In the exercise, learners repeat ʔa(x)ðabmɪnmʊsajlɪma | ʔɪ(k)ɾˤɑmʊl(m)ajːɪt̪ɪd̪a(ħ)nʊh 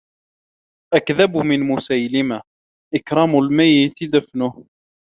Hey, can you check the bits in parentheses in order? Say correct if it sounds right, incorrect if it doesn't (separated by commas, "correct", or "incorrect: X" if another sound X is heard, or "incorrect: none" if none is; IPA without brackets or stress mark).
incorrect: k, correct, correct, incorrect: f